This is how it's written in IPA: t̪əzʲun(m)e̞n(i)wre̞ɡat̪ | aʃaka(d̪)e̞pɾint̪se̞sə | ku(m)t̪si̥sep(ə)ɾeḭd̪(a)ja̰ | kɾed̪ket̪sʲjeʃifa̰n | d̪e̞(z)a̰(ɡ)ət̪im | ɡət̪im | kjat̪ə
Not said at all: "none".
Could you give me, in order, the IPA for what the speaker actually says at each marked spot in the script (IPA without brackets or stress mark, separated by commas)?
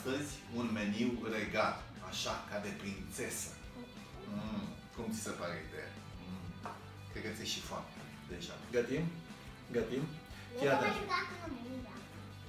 m, i, d̪, m, a, e, ʒ, ɡ